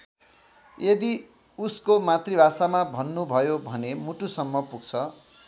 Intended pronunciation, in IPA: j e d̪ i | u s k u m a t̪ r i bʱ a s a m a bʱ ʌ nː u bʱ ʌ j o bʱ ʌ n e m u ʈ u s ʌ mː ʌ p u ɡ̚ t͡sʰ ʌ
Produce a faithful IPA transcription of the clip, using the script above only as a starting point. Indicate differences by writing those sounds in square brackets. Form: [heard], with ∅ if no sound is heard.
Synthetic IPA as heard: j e d̪ i | u s k [o] m a t̪ r i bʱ a s a m a bʱ ʌ nː u bʱ ʌ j o bʱ ʌ n e m u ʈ u s ʌ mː ʌ p u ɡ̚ t͡sʰ ʌ